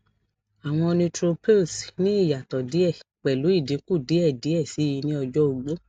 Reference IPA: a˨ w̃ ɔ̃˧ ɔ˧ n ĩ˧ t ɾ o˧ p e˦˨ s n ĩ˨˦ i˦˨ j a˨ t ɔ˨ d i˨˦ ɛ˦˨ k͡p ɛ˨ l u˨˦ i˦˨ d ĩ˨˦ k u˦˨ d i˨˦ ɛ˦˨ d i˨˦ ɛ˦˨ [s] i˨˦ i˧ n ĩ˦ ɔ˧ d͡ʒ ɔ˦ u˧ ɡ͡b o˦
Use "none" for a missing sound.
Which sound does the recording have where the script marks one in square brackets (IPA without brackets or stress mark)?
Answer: s